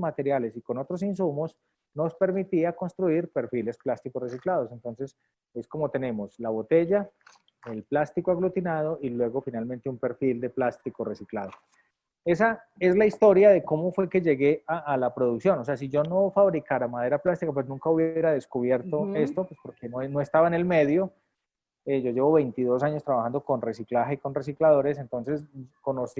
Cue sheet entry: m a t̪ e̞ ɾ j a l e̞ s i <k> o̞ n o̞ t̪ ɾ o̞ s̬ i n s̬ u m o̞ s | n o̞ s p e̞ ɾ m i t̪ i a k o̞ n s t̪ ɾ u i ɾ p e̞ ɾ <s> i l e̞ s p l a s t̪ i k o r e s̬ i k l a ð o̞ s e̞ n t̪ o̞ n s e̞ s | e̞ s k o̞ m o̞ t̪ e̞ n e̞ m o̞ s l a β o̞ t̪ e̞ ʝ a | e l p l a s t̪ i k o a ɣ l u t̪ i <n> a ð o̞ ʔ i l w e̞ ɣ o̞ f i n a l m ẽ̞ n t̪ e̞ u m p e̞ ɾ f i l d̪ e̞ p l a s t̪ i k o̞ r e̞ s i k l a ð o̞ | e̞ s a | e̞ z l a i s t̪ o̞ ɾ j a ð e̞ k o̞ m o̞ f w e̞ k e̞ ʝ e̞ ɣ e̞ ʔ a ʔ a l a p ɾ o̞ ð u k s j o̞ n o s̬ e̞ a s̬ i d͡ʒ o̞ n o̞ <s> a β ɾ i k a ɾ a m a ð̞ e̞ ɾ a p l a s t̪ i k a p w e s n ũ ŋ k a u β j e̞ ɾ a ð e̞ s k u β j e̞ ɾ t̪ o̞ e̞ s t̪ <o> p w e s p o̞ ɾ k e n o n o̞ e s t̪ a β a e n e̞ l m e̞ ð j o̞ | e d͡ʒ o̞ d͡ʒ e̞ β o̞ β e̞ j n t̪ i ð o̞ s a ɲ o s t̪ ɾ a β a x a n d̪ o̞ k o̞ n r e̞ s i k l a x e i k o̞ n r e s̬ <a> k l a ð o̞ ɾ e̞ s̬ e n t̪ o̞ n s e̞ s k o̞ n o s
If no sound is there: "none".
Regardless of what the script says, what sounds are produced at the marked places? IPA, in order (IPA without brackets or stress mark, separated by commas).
k, f, n, f, o, i